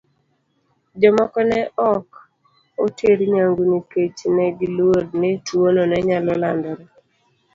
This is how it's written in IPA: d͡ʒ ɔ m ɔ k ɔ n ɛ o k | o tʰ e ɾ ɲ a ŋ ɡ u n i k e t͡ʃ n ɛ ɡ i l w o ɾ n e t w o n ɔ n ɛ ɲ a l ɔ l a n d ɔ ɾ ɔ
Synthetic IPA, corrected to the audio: d͡ʒ ɔ m ɔ k ɔ n ɛ ɔ k | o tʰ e ɾ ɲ a ŋ ɡ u n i k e t͡ʃ n ɛ ɡ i l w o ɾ n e t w o n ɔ n ɛ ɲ a l ɔ l a n d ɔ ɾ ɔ